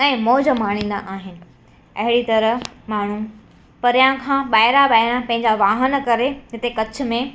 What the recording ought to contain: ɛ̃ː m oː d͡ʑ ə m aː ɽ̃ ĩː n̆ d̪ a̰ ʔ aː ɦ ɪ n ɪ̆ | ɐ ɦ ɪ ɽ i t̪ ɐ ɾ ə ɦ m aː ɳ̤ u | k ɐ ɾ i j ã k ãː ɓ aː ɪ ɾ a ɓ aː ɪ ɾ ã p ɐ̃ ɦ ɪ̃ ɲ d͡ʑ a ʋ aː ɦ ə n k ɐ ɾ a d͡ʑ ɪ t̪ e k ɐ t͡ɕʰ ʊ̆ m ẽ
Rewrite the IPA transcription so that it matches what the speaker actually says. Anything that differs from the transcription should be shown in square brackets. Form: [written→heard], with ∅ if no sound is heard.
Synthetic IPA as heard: ɛ̃ː m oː d͡ʑ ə m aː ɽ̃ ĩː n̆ d̪ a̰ ʔ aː ɦ ɪ n ɪ̆ | ɐ ɦ ɪ ɽ i t̪ ɐ ɾ ə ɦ m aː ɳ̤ u | [k→p] ɐ ɾ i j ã [k→kʰ] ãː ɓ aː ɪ ɾ a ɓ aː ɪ ɾ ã p ɐ̃ ɦ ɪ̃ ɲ d͡ʑ a ʋ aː ɦ ə n k ɐ ɾ [a→e] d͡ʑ ɪ t̪ e k ɐ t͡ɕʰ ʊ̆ m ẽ

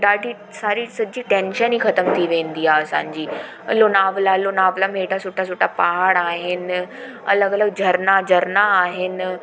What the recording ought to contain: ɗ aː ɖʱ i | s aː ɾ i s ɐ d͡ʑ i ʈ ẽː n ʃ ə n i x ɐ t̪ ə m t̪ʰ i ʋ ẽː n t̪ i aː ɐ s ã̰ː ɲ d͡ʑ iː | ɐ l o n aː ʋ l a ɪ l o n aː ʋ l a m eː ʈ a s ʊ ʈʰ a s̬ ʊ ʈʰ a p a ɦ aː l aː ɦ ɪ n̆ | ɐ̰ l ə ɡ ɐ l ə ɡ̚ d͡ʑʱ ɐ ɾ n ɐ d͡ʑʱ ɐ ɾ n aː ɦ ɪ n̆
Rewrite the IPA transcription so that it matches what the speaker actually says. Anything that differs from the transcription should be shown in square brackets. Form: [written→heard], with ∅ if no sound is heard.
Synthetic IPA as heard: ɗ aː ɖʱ i | s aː ɾ i s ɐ d͡ʑ i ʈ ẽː n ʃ ə n i x ɐ t̪ ə m t̪ʰ i ʋ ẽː n [t̪→d̪] i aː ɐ s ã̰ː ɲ d͡ʑ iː | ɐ l o n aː ʋ l a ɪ l o n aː ʋ l a m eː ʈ a s ʊ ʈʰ a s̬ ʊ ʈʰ a p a ɦ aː [l→ɽ] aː ɦ ɪ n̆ | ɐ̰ l ə ɡ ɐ l ə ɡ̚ d͡ʑʱ ɐ ɾ n [ɐ→a] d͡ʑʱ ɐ ɾ n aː ɦ ɪ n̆

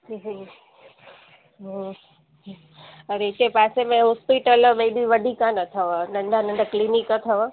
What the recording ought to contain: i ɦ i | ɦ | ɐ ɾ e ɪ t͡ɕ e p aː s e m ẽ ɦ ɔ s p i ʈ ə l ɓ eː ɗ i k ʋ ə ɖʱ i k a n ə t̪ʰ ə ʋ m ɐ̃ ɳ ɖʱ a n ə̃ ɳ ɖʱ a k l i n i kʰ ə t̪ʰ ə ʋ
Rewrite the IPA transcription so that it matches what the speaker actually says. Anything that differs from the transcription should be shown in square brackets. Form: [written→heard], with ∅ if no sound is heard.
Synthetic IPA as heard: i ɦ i | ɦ | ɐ ɾ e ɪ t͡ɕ e p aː s e m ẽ ɦ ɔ s p i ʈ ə l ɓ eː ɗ i [k→∅] ʋ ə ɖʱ i k a n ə t̪ʰ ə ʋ [m→n] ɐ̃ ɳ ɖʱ a n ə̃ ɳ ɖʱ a k l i n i [kʰ→k] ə t̪ʰ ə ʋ

